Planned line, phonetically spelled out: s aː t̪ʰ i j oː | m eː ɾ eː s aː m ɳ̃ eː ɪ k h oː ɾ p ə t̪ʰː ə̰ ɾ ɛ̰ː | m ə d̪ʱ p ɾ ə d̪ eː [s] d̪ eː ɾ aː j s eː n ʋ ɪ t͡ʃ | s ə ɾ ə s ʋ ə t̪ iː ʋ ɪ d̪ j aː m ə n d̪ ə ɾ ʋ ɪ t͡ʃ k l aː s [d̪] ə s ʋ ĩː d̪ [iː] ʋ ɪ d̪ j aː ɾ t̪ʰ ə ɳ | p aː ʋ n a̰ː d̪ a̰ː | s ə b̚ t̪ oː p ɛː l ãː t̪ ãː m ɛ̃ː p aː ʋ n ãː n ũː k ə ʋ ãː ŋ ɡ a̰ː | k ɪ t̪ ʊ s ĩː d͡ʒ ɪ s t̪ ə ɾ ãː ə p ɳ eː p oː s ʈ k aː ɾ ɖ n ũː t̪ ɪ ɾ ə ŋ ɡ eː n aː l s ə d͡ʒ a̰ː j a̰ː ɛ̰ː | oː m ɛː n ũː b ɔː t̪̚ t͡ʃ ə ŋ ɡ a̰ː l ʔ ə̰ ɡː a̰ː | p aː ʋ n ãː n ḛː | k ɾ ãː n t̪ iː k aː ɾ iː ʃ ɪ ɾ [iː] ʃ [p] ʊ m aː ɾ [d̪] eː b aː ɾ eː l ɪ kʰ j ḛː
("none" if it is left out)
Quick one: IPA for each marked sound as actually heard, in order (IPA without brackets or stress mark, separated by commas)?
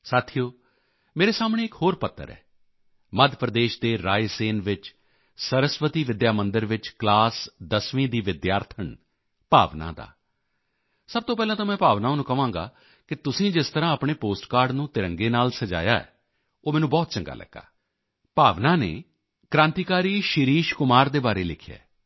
ʃ, d̪, iː, iː, k, d̪